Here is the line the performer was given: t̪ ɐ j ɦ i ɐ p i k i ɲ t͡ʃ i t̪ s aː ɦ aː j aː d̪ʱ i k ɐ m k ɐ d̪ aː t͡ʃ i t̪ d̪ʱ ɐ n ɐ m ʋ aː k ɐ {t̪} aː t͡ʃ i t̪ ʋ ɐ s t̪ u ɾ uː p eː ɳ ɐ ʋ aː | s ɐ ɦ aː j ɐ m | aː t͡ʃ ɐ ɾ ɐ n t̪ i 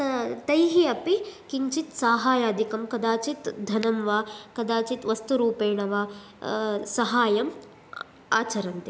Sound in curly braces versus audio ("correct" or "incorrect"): incorrect